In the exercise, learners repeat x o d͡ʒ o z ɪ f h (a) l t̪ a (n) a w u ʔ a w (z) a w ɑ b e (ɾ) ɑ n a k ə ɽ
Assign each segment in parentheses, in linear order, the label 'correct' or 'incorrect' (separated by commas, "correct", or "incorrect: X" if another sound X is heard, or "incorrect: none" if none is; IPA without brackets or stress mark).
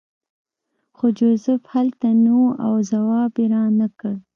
correct, correct, correct, correct